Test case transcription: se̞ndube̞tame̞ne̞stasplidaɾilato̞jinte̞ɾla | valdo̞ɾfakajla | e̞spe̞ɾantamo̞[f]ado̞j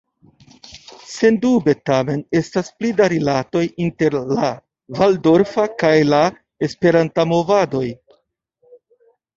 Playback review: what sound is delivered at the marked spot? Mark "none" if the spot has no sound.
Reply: v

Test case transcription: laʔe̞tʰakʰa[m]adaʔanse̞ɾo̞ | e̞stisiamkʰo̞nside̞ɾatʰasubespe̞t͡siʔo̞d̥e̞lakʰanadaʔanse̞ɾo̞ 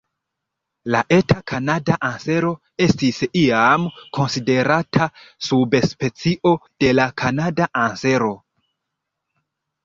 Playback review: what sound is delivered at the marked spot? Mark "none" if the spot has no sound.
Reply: n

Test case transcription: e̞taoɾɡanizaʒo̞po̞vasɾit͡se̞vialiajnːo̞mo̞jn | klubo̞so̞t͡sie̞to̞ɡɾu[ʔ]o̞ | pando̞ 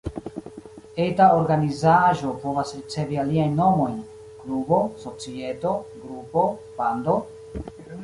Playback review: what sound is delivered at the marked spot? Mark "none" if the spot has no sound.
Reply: p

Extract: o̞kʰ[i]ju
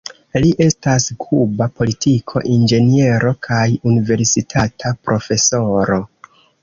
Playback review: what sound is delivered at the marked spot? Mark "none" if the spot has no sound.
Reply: a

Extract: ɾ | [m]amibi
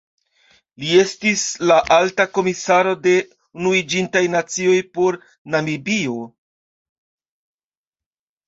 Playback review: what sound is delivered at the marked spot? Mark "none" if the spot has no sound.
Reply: n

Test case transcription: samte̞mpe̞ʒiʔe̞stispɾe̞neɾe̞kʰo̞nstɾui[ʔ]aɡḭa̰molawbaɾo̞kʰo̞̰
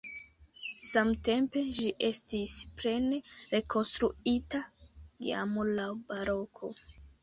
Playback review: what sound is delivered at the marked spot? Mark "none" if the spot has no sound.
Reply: t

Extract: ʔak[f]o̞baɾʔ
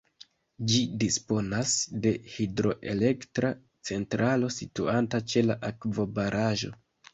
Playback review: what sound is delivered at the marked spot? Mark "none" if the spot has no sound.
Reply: v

